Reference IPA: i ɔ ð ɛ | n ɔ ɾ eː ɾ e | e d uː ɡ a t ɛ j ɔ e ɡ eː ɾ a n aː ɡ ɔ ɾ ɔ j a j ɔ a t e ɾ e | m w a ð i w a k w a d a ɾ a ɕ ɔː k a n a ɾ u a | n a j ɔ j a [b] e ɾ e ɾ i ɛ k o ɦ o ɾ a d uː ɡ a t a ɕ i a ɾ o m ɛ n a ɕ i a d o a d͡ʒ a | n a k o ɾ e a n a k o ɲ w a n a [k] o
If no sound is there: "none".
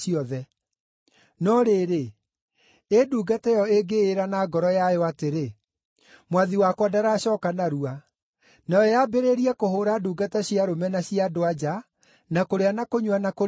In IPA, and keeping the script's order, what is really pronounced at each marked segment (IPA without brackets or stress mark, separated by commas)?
b, k